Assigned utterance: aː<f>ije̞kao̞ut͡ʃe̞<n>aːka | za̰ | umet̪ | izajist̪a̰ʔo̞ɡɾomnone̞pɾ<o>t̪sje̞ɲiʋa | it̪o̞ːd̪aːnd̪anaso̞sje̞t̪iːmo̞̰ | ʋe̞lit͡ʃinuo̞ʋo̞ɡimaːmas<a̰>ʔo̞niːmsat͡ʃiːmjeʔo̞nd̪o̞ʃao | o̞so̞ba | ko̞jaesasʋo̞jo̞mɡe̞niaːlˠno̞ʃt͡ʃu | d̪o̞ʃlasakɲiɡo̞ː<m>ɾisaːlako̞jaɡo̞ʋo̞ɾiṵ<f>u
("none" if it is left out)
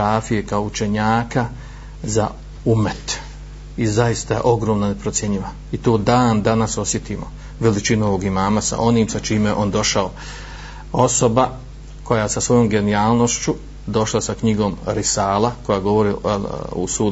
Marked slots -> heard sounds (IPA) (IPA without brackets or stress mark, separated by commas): f, ɲ, o, a̰, m, s